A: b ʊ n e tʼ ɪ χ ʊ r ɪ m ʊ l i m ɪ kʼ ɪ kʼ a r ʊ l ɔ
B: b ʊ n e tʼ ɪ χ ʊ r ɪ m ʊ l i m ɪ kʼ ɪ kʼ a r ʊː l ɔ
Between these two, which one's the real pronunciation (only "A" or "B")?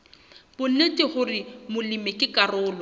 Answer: B